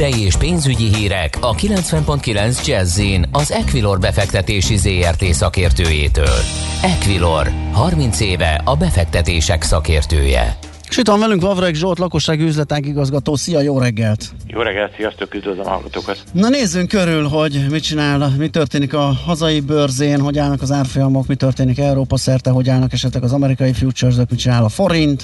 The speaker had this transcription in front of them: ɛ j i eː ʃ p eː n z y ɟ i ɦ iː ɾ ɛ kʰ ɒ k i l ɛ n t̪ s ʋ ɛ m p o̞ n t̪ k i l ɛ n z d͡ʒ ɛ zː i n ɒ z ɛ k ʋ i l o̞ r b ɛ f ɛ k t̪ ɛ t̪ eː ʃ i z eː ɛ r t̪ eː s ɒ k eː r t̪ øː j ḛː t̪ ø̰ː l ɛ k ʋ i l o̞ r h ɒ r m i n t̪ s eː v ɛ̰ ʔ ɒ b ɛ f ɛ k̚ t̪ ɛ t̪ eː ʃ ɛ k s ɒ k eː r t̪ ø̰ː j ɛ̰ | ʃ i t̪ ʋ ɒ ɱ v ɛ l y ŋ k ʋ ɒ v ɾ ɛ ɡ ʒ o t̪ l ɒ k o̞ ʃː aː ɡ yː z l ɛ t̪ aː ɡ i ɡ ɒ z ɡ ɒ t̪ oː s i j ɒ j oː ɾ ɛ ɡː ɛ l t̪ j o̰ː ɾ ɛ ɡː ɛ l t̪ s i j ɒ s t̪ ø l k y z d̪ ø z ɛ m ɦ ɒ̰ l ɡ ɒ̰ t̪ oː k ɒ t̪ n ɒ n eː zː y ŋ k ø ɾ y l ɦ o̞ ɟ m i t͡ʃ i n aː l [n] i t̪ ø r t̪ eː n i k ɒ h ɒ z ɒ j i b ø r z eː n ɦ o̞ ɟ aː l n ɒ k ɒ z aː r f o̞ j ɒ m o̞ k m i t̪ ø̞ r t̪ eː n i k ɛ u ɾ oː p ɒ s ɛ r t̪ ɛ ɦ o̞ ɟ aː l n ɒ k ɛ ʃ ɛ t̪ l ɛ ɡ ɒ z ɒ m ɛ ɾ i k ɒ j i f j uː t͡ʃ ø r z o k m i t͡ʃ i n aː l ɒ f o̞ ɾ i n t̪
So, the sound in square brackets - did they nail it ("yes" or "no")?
no